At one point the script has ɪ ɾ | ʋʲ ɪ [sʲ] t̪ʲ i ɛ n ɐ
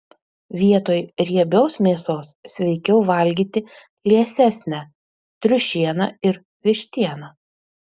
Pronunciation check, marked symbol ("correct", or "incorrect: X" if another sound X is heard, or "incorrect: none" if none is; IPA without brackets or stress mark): incorrect: ʃʲ